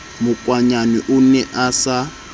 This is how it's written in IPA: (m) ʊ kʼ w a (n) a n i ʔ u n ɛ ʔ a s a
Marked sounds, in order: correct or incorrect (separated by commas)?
correct, incorrect